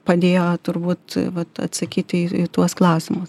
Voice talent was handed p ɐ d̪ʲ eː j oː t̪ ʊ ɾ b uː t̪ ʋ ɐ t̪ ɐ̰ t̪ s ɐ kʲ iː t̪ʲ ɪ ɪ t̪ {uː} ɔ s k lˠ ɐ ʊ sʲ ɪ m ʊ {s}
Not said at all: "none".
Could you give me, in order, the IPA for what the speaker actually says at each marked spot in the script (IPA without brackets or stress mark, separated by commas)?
u, s